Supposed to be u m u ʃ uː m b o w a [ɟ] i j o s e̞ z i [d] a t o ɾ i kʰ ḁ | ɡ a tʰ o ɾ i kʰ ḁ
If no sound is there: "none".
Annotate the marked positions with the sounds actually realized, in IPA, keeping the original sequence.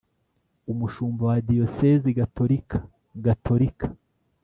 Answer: d, ɡ

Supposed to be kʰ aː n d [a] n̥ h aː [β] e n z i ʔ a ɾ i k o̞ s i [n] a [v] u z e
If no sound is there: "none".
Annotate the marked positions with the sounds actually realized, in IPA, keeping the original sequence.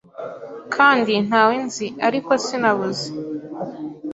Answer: i, w, n, β

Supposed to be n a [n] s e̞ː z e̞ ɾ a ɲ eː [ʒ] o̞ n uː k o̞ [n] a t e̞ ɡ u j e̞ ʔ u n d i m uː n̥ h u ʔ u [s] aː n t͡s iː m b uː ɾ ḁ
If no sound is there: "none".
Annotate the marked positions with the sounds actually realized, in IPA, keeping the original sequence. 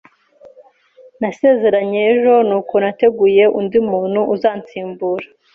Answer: none, ʒ, n, z

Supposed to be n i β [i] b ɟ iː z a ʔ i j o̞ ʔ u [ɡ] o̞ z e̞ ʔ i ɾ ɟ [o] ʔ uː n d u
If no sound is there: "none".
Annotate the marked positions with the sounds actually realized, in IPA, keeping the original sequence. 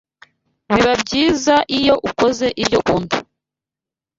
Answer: a, k, o

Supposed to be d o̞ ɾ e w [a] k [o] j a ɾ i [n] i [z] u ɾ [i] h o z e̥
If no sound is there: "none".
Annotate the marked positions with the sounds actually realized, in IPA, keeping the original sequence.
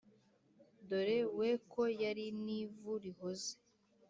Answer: e, o, n, v, i

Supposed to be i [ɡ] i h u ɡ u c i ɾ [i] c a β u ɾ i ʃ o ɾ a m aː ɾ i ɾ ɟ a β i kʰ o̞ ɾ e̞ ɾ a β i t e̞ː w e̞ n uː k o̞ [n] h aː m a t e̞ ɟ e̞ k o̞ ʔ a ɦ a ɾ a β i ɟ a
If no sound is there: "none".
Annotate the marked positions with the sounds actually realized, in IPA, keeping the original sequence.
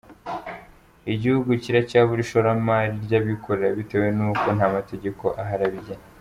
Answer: ɟ, a, n

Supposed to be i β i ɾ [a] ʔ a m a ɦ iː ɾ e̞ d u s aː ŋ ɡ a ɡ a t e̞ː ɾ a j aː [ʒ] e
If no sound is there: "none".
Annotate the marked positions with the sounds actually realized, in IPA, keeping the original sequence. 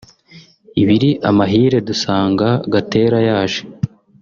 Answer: i, ʒ

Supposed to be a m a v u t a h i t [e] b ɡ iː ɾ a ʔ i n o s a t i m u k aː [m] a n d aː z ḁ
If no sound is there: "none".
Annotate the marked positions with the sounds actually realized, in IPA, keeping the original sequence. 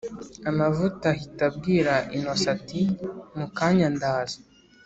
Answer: a, ɲ

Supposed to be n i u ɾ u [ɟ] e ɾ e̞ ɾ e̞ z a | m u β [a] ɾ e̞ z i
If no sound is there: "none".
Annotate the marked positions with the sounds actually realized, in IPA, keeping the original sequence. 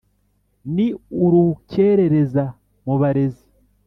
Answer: c, a

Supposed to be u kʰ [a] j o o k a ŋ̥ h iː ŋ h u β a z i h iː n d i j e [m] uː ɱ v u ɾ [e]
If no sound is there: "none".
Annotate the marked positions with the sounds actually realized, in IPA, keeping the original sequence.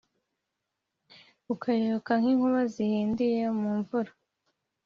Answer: a, m, a

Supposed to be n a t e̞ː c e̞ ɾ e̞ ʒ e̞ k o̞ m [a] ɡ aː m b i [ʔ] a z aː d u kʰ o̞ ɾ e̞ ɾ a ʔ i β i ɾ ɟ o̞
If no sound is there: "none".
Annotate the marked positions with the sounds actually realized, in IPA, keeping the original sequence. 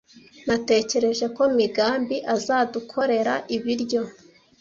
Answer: i, ʔ

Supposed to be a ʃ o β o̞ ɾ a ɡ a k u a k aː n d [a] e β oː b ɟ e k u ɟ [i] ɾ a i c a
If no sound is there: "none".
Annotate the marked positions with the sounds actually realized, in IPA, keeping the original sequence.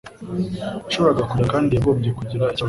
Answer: i, i

